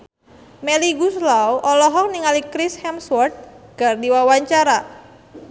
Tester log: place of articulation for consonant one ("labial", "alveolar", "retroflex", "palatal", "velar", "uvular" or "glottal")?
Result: labial